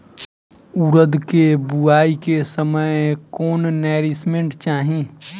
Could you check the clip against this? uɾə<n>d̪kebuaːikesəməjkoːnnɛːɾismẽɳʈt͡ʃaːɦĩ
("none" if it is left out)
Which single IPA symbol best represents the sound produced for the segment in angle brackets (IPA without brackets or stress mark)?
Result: none